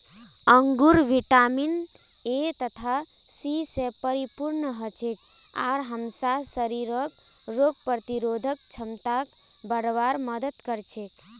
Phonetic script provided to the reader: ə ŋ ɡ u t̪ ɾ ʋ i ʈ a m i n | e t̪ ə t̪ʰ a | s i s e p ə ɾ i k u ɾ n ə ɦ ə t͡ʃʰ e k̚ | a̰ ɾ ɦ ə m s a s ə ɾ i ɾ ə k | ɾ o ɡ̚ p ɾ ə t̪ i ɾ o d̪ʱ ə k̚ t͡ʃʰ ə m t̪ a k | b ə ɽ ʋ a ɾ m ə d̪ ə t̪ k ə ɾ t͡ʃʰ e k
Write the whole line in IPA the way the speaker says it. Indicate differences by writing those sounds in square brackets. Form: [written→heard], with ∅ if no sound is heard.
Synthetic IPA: ə ŋ ɡ u [t̪→∅] ɾ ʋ i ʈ a m i n | e t̪ ə t̪ʰ a | s i s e p ə ɾ i [k→p] u ɾ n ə ɦ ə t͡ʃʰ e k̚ | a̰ ɾ ɦ ə m s a s ə ɾ i ɾ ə k | ɾ o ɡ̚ p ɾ ə t̪ i ɾ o d̪ʱ ə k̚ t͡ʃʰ ə m t̪ a k | b ə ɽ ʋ a ɾ m ə d̪ ə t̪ k ə ɾ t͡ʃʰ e k

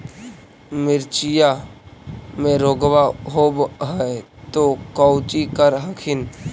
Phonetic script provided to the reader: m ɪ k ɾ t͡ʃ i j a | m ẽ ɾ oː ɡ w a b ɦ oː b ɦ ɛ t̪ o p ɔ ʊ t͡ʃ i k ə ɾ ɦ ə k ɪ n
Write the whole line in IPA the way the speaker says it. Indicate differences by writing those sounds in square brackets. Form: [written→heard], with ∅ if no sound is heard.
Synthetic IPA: m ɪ [k→∅] ɾ t͡ʃ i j a | m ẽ ɾ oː ɡ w a [b→∅] ɦ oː b ɦ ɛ t̪ o [p→k] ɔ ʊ t͡ʃ i k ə ɾ ɦ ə [k→kʰ] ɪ n

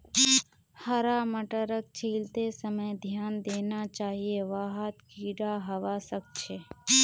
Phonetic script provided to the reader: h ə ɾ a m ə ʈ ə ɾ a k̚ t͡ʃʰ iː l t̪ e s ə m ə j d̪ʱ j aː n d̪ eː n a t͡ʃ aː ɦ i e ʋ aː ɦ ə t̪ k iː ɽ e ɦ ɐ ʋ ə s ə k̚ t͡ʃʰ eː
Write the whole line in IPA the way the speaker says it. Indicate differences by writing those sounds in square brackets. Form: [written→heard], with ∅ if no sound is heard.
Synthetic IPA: h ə ɾ a m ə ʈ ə ɾ [a→ə] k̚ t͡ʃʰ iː l t̪ e s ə m ə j d̪ʱ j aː n d̪ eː n a t͡ʃ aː ɦ i e ʋ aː ɦ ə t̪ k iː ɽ [e→a] ɦ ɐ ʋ [ə→a] s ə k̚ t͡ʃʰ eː

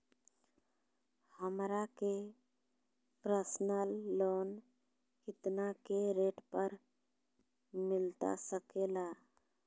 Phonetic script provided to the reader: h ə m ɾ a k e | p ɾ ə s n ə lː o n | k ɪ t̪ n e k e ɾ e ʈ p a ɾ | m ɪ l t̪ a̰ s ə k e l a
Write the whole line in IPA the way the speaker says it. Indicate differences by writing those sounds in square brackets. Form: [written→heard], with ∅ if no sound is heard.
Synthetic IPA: h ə m ɾ a k e | p ɾ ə s n ə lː o n | k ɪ t̪ n [e→a] k e ɾ e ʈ p [a→ə] ɾ | m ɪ l t̪ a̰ s ə k e l a

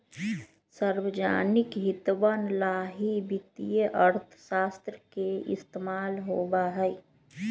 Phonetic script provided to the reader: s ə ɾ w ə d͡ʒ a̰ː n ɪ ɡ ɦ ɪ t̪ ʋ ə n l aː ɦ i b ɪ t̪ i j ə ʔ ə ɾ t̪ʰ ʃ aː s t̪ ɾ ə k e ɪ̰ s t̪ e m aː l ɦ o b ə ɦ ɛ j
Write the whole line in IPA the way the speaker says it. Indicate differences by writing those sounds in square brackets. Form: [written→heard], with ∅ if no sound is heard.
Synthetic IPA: s ə ɾ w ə d͡ʒ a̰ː n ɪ [ɡ→k] ɦ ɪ t̪ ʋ ə n l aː ɦ i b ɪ t̪ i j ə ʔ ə ɾ t̪ʰ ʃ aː s t̪ ɾ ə k e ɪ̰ s t̪ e m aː l ɦ o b [ə→a] ɦ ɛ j

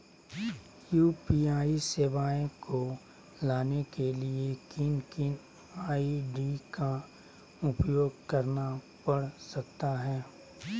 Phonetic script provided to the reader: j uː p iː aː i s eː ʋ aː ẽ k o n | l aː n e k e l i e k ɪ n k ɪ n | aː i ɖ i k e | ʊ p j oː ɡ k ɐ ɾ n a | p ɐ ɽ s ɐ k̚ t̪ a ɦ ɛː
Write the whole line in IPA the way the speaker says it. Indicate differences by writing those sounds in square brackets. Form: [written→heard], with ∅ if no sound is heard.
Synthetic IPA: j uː p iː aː i s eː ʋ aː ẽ k o [n→∅] | l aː n e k e l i e k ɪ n k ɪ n | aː i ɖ i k [e→a] | ʊ p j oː ɡ k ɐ ɾ n a | p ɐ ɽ s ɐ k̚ t̪ a ɦ ɛː

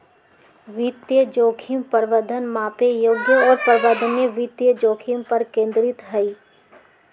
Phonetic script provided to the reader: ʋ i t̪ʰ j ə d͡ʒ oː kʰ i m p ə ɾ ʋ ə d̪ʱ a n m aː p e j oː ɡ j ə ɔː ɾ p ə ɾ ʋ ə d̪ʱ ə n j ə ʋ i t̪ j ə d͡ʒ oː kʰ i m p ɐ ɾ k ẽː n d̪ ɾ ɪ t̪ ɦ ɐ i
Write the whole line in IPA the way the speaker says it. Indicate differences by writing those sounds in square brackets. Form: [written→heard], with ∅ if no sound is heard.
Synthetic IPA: ʋ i [t̪ʰ→t̪] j ə d͡ʒ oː kʰ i m p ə ɾ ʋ ə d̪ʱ [a→ə] n m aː p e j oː ɡ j ə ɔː ɾ p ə ɾ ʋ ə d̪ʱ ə n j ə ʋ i t̪ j ə d͡ʒ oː kʰ i m p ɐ ɾ k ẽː n d̪ ɾ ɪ t̪ ɦ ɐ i

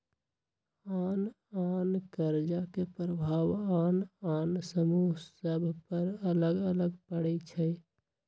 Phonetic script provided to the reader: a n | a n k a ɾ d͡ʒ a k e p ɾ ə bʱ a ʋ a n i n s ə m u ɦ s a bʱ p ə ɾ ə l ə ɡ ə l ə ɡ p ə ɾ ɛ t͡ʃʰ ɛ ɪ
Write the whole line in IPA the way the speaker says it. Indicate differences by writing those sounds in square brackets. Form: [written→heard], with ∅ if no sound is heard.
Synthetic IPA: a n | a n k [a→ə] ɾ d͡ʒ a k e p ɾ ə bʱ a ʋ a n [i→a] n s ə m u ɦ s [a→ə] bʱ p ə ɾ ə l ə ɡ ə l ə ɡ p ə [ɾ→ɽ] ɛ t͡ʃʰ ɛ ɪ

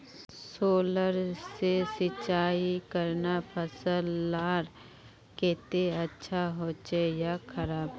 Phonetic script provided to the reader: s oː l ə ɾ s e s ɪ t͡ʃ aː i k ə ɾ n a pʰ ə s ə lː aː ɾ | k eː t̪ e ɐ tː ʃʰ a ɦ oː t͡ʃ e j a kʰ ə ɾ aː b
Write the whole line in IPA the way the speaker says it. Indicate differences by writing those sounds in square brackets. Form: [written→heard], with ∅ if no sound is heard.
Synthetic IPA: s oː l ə ɾ s e s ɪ t͡ʃ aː i k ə ɾ n a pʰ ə s ə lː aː ɾ | k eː t̪ e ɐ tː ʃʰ a ɦ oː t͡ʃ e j a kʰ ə ɾ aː b

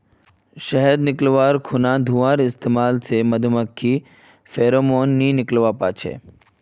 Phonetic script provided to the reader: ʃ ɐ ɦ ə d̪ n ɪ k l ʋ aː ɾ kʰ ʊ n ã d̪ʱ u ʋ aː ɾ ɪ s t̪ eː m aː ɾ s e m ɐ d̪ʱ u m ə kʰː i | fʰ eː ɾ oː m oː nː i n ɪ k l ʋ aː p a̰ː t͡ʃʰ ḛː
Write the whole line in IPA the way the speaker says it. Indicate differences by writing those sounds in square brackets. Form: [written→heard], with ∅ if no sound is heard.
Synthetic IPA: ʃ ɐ ɦ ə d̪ n ɪ k l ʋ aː ɾ kʰ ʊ n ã d̪ʱ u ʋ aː ɾ ɪ s t̪ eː m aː [ɾ→l] s e m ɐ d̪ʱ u m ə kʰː i | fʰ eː ɾ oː m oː nː i n ɪ k l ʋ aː p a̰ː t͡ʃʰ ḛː

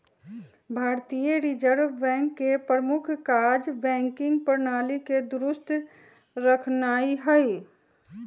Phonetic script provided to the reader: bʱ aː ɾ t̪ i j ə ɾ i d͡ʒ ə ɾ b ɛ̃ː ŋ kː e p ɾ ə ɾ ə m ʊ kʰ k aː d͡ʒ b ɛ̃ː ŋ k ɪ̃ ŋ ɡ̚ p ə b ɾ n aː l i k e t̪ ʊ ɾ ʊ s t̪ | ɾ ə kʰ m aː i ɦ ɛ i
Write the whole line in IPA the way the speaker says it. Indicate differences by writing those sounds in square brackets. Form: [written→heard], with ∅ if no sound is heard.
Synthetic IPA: bʱ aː ɾ t̪ i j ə ɾ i d͡ʒ ə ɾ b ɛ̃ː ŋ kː e p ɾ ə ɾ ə m ʊ kʰ k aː d͡ʒ b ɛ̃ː ŋ k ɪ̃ ŋ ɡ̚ p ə [b→∅] ɾ n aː l i k e [t̪→d̪] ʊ ɾ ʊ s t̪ | ɾ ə kʰ [m→n] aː i ɦ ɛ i

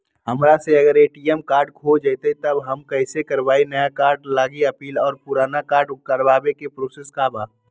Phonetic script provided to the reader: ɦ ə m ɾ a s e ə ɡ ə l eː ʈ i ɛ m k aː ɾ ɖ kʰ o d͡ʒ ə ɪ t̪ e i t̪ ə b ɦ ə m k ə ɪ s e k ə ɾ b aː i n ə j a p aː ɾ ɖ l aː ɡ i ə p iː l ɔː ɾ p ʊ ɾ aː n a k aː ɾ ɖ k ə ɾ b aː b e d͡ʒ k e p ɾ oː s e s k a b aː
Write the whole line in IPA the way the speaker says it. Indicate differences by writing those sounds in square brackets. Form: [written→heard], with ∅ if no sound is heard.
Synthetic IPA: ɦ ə m ɾ a s e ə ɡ ə [l→ɾ] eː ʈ i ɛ m k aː ɾ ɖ kʰ o d͡ʒ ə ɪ t̪ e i t̪ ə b ɦ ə m k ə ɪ s e k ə ɾ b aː i n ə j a [p→k] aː ɾ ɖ l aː ɡ i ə p iː l ɔː ɾ p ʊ ɾ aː n a k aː ɾ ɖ k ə ɾ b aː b e [d͡ʒ→∅] k e p ɾ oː s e s k a b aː

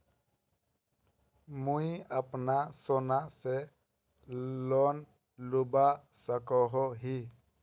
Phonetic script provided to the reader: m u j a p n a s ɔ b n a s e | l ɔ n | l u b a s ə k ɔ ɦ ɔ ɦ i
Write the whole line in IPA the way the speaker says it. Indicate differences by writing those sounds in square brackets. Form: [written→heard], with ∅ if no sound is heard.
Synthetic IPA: m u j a p n a s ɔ [b→∅] n a s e | l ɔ n | l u b a s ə k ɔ ɦ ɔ ɦ i

